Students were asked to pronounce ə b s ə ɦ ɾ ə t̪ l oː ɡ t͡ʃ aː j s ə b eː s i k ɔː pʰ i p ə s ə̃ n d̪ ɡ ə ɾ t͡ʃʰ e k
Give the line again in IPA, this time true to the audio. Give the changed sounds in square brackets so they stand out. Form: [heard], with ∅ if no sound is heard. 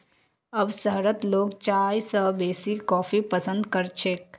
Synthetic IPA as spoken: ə b s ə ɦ ɾ ə t̪ l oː ɡ t͡ʃ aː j s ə b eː s i k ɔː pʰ i p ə s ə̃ n d̪ [k] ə ɾ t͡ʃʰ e k